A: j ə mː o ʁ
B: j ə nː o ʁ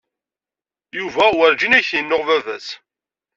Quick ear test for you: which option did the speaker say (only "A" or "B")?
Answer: B